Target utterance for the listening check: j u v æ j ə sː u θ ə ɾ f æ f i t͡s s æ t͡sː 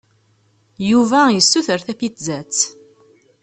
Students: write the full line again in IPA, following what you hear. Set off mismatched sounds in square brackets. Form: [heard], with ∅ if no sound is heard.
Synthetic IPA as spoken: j u v æ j ə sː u θ ə ɾ [θ] æ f i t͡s [z] æ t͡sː